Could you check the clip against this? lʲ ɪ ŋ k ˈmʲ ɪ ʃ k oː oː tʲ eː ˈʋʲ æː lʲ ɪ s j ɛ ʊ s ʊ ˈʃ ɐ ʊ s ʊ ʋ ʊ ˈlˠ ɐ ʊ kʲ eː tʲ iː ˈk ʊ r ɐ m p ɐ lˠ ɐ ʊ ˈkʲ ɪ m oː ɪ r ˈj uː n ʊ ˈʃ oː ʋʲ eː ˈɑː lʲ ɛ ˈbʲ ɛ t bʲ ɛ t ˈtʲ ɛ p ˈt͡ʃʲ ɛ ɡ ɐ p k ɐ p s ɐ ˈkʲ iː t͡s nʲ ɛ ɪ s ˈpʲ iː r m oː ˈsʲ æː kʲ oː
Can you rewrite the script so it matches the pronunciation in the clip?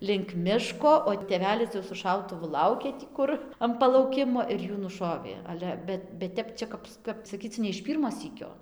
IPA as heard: lʲ ɪ ŋ k ˈmʲ ɪ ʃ k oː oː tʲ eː ˈʋʲ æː lʲ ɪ s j ɛ ʊ s ʊ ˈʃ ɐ ʊ t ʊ ʋ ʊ ˈlˠ ɐ ʊ kʲ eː tʲ iː ˈk ʊ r ɐ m p ɐ lˠ ɐ ʊ ˈkʲ ɪ m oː ɪ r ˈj uː n ʊ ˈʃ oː ʋʲ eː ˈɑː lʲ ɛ ˈbʲ ɛ t bʲ ɛ t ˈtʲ ɛ p ˈt͡ʃʲ ɛ k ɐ p k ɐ p s ɐ ˈkʲ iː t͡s nʲ ɛ ɪ ʃ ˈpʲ iː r m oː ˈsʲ iː kʲ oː